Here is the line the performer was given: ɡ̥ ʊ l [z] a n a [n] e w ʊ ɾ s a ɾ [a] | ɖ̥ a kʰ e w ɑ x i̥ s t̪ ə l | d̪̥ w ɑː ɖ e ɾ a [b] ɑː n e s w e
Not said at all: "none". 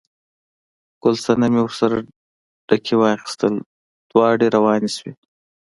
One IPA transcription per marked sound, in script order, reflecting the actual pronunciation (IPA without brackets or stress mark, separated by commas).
s, m, a, w